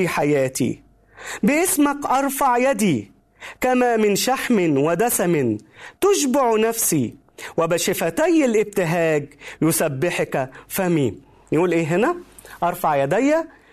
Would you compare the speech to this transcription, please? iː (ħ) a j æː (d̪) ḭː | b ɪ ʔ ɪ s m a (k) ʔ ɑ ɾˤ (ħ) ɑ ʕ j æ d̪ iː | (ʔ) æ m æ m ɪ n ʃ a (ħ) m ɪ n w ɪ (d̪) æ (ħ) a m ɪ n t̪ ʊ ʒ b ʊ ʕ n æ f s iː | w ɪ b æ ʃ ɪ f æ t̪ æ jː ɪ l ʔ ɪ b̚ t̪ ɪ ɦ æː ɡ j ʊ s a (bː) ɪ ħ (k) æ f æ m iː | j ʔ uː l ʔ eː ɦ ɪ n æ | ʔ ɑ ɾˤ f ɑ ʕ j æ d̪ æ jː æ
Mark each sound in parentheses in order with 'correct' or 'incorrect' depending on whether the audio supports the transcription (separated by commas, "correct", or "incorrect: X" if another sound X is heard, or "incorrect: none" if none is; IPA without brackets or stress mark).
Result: correct, incorrect: t̪, correct, incorrect: f, incorrect: k, correct, correct, incorrect: s, correct, correct